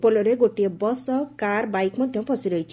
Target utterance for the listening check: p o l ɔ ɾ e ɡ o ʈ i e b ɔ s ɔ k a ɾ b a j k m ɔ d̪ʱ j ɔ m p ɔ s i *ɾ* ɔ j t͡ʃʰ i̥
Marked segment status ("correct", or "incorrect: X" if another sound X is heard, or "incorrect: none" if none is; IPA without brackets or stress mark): correct